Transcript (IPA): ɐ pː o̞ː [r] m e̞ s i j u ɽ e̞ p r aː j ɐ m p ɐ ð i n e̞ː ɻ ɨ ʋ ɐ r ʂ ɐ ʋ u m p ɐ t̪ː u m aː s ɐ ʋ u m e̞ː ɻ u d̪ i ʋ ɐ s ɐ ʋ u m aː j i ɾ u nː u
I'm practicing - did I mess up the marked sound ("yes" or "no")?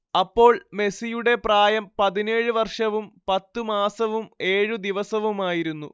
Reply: yes